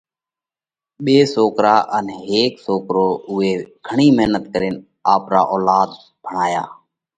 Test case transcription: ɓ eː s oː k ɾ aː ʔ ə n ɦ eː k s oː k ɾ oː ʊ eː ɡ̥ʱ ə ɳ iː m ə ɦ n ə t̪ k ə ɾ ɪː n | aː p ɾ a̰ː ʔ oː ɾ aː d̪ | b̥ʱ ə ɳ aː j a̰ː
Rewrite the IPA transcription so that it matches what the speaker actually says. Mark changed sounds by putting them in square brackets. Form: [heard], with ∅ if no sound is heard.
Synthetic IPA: ɓ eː s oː k ɾ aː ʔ ə n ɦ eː k s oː k ɾ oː ʊ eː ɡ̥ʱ ə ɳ iː m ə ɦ n ə t̪ k ə ɾ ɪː n | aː p ɾ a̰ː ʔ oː [l] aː d̪ | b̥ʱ ə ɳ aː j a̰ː